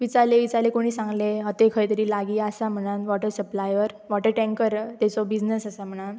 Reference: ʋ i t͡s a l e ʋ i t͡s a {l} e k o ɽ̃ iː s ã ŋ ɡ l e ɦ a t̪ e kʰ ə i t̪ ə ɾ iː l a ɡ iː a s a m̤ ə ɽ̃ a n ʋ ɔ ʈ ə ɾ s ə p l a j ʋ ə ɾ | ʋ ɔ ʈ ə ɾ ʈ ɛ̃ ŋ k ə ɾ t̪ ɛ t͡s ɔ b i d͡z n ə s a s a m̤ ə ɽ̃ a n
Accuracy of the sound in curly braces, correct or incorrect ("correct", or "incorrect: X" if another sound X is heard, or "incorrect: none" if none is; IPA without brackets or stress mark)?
correct